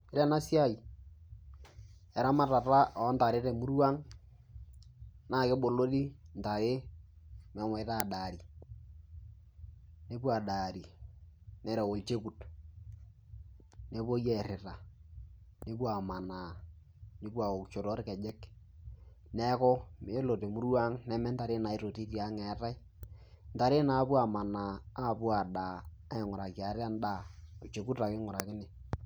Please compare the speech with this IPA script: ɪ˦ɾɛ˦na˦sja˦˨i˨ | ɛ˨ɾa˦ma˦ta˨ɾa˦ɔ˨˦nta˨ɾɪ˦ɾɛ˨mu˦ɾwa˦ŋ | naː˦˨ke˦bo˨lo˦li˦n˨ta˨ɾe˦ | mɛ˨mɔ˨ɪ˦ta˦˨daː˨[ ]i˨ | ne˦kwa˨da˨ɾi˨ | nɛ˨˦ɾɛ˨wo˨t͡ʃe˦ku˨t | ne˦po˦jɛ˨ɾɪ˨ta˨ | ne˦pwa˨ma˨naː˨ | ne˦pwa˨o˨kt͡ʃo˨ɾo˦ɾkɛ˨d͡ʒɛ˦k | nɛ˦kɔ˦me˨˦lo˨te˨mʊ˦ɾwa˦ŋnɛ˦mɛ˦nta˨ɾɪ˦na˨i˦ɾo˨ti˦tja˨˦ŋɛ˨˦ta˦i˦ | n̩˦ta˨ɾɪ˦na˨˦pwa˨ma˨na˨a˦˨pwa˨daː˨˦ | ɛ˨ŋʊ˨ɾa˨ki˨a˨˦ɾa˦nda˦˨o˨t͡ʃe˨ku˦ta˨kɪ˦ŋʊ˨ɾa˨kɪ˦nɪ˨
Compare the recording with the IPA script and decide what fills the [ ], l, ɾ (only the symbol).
ɾ